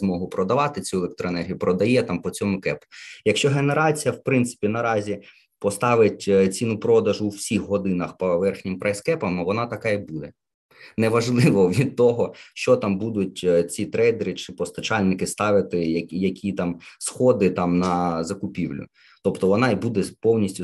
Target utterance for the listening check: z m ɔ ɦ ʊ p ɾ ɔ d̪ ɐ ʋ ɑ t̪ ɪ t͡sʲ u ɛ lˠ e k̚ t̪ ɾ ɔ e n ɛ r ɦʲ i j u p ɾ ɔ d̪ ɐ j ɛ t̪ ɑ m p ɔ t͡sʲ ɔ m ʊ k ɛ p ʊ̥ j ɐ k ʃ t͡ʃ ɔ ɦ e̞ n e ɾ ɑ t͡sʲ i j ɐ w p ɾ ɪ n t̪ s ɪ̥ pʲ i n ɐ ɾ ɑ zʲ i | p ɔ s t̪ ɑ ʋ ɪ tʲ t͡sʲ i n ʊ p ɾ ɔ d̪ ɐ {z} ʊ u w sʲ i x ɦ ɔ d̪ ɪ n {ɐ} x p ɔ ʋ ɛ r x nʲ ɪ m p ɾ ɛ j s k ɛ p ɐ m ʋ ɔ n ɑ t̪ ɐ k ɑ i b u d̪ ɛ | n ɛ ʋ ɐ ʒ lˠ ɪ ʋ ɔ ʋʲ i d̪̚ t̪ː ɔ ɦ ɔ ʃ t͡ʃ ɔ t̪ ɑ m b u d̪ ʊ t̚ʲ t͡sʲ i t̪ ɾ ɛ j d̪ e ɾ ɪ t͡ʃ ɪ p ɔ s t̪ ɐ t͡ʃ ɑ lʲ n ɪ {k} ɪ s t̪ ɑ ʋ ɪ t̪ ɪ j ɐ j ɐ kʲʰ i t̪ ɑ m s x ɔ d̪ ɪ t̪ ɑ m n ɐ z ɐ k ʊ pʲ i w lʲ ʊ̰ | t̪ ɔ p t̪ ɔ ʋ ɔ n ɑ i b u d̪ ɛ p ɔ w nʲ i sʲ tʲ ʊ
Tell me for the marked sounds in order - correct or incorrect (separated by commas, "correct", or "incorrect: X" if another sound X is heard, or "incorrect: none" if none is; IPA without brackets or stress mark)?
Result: incorrect: ʒ, correct, correct